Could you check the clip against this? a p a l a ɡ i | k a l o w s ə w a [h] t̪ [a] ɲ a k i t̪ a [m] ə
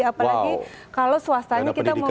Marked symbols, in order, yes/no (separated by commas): no, yes, yes